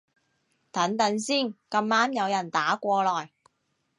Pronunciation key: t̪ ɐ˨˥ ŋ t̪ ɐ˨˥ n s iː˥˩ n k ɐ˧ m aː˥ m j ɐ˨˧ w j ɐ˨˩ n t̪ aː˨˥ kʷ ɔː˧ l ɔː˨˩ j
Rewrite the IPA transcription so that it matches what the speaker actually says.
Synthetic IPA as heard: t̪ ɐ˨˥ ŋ t̪ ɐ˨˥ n s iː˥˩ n k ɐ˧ m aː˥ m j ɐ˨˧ w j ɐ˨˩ n t̪ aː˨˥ kʷ ɔː˧ l ɔː˨˩ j

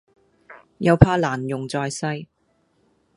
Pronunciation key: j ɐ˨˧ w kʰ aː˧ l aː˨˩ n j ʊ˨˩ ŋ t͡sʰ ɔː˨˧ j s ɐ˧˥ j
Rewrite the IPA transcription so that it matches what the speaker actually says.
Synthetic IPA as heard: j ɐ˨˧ w pʰ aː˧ l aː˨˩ n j ʊ˨˩ ŋ t͡s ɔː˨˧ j s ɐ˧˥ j

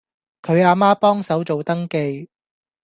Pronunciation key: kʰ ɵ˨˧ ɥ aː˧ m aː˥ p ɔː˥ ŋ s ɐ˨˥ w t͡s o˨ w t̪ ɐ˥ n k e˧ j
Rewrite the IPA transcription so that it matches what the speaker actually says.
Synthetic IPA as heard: kʰ ɵ˨˧ ɥ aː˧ m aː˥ p ɔː˥ ŋ s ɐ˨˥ w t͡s o˨ w t̪ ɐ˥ ŋ k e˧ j

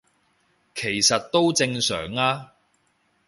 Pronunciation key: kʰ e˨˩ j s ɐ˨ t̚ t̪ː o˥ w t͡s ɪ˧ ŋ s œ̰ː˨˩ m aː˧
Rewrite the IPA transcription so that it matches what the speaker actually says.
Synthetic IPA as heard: kʰ e˨˩ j s ɐ˨ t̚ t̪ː o˥ w t͡s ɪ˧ ŋ s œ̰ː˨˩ ŋ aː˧

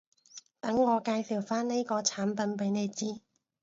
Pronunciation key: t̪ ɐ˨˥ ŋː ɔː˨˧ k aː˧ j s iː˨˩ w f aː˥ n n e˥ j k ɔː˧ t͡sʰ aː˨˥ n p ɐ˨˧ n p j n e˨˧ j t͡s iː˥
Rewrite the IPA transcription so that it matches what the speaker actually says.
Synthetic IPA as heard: t̪ ɐ˨˥ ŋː ɔː˨˧ k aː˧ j s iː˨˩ w f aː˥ n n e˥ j k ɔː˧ t͡sʰ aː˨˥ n p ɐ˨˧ n p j n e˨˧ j t͡s iː˥

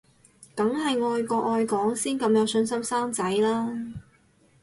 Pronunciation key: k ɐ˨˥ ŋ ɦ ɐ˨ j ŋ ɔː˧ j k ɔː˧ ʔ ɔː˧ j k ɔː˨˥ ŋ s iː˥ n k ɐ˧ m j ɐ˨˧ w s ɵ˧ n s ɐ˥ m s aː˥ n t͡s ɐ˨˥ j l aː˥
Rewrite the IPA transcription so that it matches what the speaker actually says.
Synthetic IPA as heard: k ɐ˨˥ ŋ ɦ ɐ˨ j ŋ ɔː˧ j k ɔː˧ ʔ ɔː˧ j k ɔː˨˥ ŋ s iː˥ n k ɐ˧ m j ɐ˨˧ w s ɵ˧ n s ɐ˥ m s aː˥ ŋ t͡s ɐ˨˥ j l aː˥

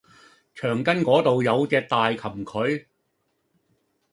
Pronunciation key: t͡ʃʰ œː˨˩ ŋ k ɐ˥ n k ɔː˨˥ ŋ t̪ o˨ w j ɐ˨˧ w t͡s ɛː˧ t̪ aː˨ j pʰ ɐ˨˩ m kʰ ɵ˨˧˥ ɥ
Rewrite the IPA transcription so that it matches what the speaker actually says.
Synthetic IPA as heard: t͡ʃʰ œː˨˩ ŋ k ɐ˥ n k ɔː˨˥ t̪ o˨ w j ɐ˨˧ w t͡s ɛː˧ t̪ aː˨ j kʰ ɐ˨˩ m kʰ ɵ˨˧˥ ɥ

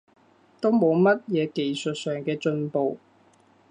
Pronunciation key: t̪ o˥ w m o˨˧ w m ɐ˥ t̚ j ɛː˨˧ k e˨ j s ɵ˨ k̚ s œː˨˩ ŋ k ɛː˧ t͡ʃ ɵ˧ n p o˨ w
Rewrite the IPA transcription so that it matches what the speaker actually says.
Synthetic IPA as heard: t̪ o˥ w m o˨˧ w m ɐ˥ t̚ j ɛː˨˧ k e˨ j s ɵ˨ t̚ s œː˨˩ ŋ k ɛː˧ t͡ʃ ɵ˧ n p o˨ w

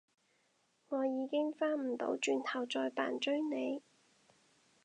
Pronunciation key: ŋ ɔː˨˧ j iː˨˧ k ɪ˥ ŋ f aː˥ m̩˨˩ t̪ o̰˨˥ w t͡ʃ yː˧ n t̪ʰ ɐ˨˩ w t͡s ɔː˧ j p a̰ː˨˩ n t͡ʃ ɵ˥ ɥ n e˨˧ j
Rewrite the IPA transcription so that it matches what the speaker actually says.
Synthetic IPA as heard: ŋ ɔː˨˧ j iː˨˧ k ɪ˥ ŋ f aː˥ m̩˨˩ t̪ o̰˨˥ w t͡ʃ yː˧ n t̪ʰ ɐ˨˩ w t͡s ɔː˧ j p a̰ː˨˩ n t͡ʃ ɵ˥ ɥ n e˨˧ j

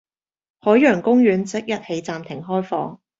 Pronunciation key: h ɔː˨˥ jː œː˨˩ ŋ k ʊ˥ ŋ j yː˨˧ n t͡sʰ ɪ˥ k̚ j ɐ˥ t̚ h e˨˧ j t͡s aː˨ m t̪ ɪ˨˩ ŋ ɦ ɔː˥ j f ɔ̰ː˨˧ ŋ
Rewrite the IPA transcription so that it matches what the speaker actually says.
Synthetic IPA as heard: h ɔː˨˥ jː œː˨˩ ŋ k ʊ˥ ŋ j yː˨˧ n t͡s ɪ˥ k̚ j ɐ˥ t̚ h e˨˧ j t͡s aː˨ m t̪ʰ ɪ˨˩ ŋ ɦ ɔː˥ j f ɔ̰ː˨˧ ŋ

